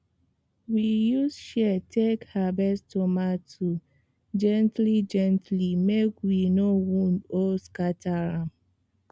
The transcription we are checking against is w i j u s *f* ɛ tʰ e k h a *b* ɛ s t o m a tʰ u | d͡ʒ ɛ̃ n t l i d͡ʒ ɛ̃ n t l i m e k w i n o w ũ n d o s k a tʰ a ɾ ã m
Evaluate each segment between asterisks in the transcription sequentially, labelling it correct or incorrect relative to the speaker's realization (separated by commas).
incorrect, correct